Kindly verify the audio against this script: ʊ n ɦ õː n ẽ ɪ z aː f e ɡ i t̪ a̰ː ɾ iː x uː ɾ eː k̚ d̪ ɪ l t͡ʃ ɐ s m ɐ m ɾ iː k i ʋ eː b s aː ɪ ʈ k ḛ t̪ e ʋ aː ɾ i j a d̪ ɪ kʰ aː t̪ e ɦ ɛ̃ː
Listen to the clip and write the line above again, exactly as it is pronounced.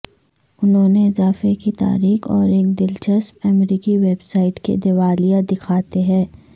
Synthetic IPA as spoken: ʊ n ɦ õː n e ɪ z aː f e k i t̪ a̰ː ɾ iː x ɔː ɾ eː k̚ d̪ ɪ l t͡ʃ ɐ s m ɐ m ɾ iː k i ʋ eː b s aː ɪ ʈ k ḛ d̪ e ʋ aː l i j a d̪ ɪ kʰ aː t̪ e ɦ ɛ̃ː

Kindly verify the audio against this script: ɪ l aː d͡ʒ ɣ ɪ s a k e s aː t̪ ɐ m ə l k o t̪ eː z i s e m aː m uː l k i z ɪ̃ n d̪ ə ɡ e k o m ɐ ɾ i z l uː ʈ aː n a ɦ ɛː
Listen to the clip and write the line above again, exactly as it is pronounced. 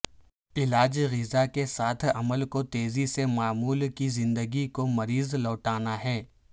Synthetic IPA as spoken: ɪ l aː d͡ʒ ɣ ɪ z a k e s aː t̪ʰ ɐ m ə l k o t̪ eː z i s e m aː m uː l k i z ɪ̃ n d̪ ə ɡ i k o m ɐ ɾ iː z l ɔː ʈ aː n a ɦ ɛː

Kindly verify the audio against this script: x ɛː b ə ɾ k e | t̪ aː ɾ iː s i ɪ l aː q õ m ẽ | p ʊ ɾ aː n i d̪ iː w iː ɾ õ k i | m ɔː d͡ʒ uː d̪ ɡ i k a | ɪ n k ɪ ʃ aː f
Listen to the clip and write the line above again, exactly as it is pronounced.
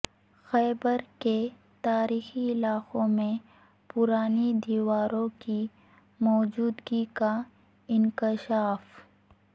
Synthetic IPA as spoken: x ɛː b ə ɾ k e | t̪ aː ɾ iː x i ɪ l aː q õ m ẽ | p ʊ ɾ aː n i d̪ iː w aː ɾ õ k i | m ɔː d͡ʒ uː d̪ ɡ i k a | ɪ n k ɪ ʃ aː f

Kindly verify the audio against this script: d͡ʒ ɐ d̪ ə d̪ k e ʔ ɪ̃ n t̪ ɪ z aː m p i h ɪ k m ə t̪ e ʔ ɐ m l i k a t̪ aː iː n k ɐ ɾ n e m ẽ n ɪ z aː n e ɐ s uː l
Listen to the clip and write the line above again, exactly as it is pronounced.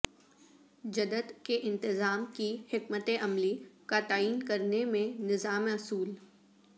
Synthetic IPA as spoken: d͡ʒ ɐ d̪ ə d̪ k e ʔ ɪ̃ n t̪ ɪ z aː m k i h ɪ k m ə t̪ e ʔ ɐ m l i k a t̪ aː iː n k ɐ ɾ n e m ẽ n ɪ z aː m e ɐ s uː l

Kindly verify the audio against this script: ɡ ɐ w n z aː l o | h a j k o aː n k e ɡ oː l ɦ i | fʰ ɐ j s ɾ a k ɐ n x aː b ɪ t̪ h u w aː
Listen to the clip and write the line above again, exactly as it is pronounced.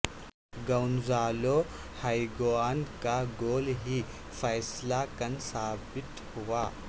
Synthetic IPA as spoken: ɡ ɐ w n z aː l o | h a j ɡ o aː n k a ɡ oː l ɦ i | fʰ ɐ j s l a k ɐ n s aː b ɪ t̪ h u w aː

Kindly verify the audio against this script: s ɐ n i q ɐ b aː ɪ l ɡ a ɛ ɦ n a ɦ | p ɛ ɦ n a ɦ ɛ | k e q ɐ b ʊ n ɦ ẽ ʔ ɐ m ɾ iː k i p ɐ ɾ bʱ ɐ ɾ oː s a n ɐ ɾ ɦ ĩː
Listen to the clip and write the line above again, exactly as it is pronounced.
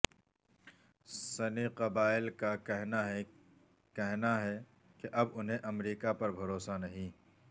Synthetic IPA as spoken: s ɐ n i q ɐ b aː ɪ l k a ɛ ɦ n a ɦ | k ɛ ɦ n a ɦ ɛ | k e ʔ ɐ b ʊ n ɦ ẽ ʔ ɐ m ɾ iː k a p ɐ ɾ bʱ ɐ ɾ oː s a n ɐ ɦ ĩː

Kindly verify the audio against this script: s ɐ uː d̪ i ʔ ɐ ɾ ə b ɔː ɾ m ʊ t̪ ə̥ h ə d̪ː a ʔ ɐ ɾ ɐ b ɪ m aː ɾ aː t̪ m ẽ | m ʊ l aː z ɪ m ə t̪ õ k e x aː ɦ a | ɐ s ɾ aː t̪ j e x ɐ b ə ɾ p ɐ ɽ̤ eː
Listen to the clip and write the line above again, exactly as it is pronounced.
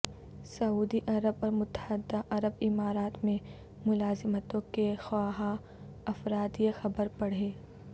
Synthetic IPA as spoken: s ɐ uː d̪ i ʔ ɐ ɾ ə b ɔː ɾ m ʊ t̪ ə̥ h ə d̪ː a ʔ ɐ ɾ ə b ɪ m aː ɾ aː t̪ m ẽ | m ʊ l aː z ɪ m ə t̪ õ k e x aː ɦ a | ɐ f ɾ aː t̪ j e x ɐ b ə ɾ p ɐ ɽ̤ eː

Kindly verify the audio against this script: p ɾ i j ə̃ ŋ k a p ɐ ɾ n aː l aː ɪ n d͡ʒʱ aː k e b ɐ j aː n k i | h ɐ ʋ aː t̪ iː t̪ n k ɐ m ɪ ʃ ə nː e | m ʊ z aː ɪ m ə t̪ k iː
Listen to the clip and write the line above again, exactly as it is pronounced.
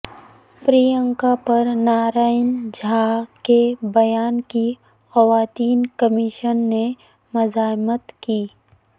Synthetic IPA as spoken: p ɾ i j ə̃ ŋ k a p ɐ ɾ n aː ɾ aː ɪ n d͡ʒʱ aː k e b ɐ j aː n k i | x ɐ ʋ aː t̪ iː n k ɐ m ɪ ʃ ə nː e | m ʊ z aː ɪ m ə t̪ k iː

